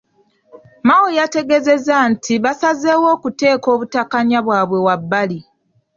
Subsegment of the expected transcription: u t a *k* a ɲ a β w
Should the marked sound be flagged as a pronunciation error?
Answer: no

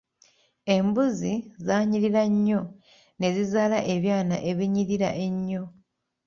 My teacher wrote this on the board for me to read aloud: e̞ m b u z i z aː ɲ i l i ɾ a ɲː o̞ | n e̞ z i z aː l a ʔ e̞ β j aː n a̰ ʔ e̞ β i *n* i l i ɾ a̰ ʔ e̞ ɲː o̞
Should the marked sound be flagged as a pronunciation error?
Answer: yes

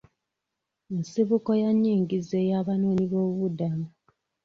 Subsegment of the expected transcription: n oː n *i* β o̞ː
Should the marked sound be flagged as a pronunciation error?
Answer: no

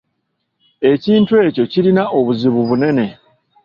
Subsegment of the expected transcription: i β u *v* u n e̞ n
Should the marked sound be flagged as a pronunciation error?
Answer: yes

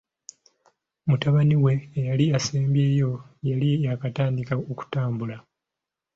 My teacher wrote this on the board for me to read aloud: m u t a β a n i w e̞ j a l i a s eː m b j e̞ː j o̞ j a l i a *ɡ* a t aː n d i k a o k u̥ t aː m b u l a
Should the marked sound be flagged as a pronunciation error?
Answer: yes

